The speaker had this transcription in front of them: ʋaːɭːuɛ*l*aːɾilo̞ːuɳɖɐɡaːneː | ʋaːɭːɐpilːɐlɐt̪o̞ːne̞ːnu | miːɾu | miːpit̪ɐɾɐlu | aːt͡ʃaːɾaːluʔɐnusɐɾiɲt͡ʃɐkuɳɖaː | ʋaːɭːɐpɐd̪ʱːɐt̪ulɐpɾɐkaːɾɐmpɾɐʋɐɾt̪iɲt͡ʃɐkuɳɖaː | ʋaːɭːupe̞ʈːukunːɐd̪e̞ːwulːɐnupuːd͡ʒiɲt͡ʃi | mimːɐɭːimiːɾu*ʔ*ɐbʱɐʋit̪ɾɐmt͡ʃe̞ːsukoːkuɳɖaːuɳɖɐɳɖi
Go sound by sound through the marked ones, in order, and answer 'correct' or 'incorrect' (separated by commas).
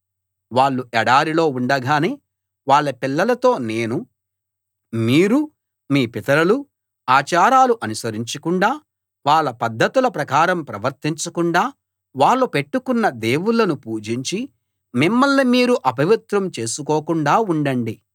incorrect, correct